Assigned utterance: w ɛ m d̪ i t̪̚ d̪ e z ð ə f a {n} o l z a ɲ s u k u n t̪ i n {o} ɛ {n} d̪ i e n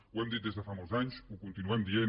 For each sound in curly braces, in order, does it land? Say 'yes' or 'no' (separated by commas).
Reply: no, no, no